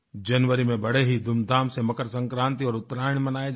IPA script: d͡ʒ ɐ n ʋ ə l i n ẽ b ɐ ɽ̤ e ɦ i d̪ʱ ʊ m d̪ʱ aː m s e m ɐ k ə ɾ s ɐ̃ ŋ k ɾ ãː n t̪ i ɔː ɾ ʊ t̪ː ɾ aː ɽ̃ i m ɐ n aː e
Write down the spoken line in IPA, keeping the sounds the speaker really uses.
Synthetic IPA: d͡ʒ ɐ n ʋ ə ɾ i m ẽ b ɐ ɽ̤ e ɦ i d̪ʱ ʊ m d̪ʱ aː m s e m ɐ k ə ɾ s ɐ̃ ŋ k ɾ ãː n t̪ i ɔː ɾ ʊ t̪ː ɾ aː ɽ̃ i m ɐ n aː e